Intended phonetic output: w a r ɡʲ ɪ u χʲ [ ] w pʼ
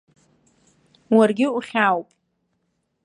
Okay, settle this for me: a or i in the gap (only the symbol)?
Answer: a